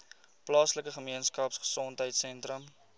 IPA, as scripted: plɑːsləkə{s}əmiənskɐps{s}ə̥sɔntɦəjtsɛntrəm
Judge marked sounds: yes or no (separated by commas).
no, no